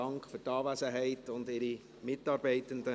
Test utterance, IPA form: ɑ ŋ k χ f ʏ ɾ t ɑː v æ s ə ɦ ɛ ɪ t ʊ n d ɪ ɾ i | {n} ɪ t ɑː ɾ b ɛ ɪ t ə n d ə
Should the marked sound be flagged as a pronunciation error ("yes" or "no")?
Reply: yes